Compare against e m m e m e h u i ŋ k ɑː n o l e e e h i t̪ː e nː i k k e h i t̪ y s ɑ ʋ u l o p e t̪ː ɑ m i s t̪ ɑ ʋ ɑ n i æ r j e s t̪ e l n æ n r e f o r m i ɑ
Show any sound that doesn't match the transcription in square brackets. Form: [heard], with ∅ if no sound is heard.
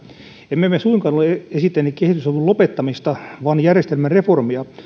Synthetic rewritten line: e m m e m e [s] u i ŋ k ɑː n o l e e e [s] i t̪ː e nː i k k e h i t̪ y s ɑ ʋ u l o p e t̪ː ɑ m i s t̪ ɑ ʋ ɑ n [j] æ r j e s t̪ e l [m] æ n r e f o r m i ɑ

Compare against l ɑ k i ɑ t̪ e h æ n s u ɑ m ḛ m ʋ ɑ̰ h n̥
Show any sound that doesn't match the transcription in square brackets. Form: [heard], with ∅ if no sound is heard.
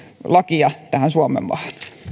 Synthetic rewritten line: l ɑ k i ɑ t̪ [æ] h æ n s u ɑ m ḛ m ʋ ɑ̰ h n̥

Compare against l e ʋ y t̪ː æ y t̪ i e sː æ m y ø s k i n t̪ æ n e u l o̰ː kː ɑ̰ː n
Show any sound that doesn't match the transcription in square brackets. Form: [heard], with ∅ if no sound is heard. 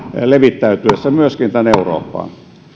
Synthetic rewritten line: l e ʋ [i] t̪ː æ y t̪ [y] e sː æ m y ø s k i n t̪ æ n e u [r] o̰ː [pː] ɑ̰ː n

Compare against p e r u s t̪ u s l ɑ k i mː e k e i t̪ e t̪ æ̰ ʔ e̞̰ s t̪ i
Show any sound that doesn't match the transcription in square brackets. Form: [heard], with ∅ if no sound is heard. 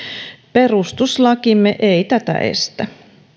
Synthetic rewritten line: p e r u s t̪ u s l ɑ k i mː e [ʔ] e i t̪ [æ] t̪ æ̰ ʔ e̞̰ s t̪ [æ]

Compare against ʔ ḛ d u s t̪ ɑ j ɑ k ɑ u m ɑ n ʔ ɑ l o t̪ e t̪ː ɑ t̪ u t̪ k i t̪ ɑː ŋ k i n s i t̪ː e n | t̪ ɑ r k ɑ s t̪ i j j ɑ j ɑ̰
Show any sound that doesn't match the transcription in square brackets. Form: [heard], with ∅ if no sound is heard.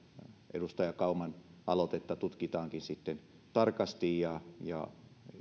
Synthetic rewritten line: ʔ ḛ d u s t̪ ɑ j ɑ k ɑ u m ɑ n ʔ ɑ l o t̪ e t̪ː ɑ t̪ u t̪ k i t̪ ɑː ŋ k i n s i t̪ː e n | t̪ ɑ r k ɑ s t̪ i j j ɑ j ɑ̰

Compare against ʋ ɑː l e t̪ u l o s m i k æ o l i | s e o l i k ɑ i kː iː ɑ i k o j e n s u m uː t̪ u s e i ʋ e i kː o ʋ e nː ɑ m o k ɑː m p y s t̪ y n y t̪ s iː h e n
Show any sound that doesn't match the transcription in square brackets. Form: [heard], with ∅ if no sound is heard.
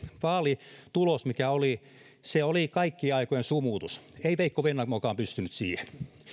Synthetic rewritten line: ʋ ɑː l [i] t̪ u l o s m i k æ o l i | s e o l i k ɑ i kː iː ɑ i k o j e n s u m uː t̪ u s e i ʋ e i kː o ʋ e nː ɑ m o k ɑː m p y s t̪ y n y t̪ s iː h e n

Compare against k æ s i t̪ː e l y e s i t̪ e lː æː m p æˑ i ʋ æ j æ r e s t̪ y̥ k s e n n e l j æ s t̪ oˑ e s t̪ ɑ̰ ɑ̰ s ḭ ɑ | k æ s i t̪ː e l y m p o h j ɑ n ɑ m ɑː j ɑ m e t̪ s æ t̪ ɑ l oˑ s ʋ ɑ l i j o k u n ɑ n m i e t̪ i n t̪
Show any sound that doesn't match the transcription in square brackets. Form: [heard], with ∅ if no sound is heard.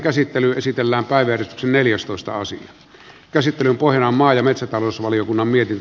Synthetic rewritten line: k æ s i t̪ː e l y e s i t̪ e lː æː m p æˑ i ʋ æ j æ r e s t̪ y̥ k s e n n e l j æ s t̪ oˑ e s t̪ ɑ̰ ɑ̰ s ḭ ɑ | k æ s i t̪ː e l y m p o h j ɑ n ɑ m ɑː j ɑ m e t̪ s æ t̪ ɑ l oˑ s ʋ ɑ l i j o k u [nː] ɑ [m] m i e t̪ i n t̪

